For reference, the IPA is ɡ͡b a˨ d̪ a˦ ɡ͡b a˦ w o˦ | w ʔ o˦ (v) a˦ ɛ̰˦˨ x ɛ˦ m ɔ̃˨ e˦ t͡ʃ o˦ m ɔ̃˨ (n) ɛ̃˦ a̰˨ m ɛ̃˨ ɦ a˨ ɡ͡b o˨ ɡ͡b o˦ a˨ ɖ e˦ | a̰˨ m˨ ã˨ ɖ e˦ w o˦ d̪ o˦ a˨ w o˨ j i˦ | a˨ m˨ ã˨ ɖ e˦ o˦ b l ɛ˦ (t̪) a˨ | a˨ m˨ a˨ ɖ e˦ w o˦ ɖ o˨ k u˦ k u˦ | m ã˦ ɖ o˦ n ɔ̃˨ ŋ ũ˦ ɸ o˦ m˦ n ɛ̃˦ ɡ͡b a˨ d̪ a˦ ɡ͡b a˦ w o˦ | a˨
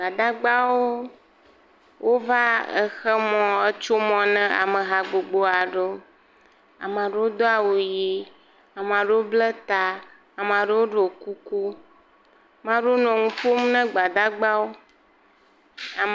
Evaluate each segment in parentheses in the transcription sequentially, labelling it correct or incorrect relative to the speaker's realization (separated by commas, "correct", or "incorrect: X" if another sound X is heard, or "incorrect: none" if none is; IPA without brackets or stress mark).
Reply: correct, correct, correct